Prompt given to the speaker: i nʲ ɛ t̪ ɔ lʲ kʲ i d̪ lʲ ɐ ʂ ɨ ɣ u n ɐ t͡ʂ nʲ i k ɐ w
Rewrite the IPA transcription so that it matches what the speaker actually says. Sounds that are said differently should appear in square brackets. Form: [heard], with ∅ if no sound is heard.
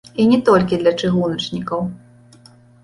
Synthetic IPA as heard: i nʲ ɛ t̪ ɔ lʲ kʲ i d̪ lʲ ɐ [t͡ʂ] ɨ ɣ u n ɐ t͡ʂ nʲ i k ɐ w